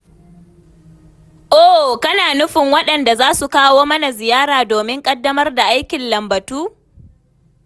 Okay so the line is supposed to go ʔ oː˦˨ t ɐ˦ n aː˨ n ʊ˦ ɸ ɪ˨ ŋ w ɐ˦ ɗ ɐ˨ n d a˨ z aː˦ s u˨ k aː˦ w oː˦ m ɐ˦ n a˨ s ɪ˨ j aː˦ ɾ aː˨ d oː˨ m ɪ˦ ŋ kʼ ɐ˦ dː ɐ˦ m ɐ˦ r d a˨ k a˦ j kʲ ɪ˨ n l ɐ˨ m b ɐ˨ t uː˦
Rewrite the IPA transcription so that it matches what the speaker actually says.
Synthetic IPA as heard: ʔ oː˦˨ k ɐ˦ n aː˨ n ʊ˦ ɸ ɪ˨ ŋ w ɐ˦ ɗ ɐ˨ n d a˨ z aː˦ s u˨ k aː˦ w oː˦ m ɐ˦ n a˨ z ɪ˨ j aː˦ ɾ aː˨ d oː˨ m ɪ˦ ŋ kʼ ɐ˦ dː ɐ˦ m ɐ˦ r d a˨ ʔ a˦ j kʲ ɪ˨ n l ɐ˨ m b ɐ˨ t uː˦